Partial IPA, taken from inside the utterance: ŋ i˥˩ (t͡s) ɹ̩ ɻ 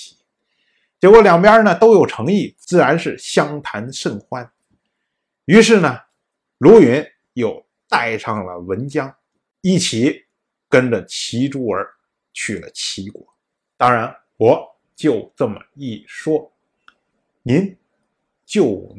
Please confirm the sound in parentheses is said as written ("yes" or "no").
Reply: yes